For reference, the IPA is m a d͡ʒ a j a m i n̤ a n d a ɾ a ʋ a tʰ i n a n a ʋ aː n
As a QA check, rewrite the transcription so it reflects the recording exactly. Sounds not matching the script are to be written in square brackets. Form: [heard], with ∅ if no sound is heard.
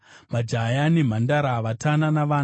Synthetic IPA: m a d͡ʒ a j a [n] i [m̤] a n d a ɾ a ʋ a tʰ [a] n a n a ʋ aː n